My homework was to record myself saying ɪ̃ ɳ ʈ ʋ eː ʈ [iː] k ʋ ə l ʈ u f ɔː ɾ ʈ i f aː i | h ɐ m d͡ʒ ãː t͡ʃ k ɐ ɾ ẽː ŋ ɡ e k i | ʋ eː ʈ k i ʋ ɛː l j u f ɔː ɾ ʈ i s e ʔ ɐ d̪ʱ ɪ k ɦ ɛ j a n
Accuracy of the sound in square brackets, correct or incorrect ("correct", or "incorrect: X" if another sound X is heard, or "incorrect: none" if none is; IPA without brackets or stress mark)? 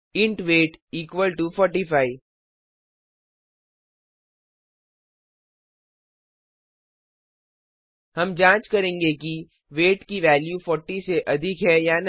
correct